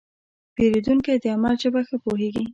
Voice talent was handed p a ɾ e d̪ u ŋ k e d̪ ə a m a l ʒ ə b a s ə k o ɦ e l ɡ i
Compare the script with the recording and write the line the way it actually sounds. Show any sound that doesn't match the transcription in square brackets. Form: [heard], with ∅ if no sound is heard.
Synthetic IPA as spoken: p [e] ɾ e d̪ u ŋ k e d̪ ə a m a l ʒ ə b a [x] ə [p] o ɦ e [∅] ɡ i

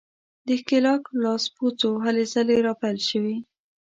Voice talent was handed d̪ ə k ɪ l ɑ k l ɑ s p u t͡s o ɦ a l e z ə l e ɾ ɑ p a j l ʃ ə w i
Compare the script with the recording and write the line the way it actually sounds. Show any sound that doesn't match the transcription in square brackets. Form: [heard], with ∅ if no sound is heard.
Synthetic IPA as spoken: d̪ ə k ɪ l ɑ k l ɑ s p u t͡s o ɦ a l e z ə l e ɾ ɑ p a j l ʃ ə w i

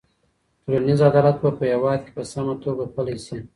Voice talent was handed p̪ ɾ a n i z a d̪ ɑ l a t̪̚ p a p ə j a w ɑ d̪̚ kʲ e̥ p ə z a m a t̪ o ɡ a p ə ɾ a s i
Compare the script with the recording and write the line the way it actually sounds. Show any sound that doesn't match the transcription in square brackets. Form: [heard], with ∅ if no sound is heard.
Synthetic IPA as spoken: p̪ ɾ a n i z a d̪ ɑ l a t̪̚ [b] a p ə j a w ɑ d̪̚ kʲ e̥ p ə [s] a m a t̪ o ɡ a p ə [l] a s i

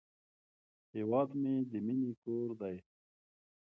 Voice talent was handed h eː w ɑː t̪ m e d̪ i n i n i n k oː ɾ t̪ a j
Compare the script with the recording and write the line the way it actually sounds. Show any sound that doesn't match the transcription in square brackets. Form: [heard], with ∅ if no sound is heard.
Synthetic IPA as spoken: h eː w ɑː [d̪] m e d̪ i [m] i n i [∅] k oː ɾ [d̪] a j

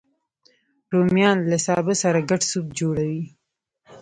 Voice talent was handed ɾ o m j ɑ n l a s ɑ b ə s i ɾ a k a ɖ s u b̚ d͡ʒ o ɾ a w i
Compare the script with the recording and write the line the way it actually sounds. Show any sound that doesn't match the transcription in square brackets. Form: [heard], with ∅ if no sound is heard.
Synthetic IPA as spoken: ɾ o m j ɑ n l a s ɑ b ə s [a] ɾ a [ɡ] a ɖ s u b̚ d͡ʒ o [ɽ] a w i

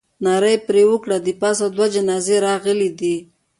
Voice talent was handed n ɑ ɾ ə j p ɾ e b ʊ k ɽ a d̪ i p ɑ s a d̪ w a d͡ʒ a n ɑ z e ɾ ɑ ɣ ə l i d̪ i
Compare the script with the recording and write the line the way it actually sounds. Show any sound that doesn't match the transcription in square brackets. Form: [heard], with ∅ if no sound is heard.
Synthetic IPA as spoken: n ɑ ɾ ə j p ɾ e [w] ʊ k ɽ a d̪ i p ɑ s a d̪ w a d͡ʒ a n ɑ z e ɾ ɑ ɣ ə l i d̪ i

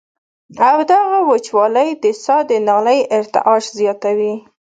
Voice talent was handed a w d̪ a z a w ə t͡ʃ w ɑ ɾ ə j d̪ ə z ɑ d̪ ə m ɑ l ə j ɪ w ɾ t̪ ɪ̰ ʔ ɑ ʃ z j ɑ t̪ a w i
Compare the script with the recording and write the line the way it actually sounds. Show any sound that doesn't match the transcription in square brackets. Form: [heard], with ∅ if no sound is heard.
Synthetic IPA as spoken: a w d̪ a [ɣ] a w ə t͡ʃ w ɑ [l] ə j d̪ ə [s] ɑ d̪ ə [n] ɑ l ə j ɪ [∅] ɾ t̪ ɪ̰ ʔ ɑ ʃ z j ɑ t̪ a w i

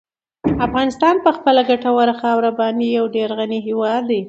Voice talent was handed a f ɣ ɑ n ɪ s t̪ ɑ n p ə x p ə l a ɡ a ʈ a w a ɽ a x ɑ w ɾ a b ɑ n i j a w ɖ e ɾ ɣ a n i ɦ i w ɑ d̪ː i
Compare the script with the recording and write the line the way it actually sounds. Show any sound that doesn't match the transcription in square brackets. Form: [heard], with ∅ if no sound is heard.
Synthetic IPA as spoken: a f ɣ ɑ n ɪ s t̪ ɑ n p ə x p ə l a ɡ a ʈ a w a [ɾ] a x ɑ w ɾ a b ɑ n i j a w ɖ e ɾ ɣ a n i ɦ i w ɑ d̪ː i

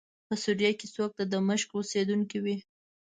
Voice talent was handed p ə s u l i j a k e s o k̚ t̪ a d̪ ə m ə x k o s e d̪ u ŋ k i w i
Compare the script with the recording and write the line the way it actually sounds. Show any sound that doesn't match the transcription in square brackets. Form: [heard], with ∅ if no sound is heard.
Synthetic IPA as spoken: p ə s u [ɾ] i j a k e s o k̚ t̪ a d̪ ə m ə [ʃ] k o s e d̪ u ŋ k i w i

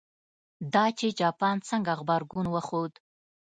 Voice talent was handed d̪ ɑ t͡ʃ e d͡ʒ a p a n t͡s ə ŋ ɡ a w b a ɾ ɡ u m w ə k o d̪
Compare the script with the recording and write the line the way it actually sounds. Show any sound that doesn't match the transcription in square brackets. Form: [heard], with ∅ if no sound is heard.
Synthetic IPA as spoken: d̪ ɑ t͡ʃ e d͡ʒ [ɑ] p [ɑ] n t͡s ə ŋ ɡ a [ɣ] b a ɾ ɡ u [n] w ə [x] o d̪

